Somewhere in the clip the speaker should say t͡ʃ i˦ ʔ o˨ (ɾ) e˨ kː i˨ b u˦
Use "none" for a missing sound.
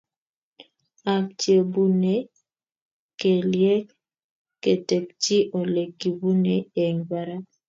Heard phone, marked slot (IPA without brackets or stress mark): l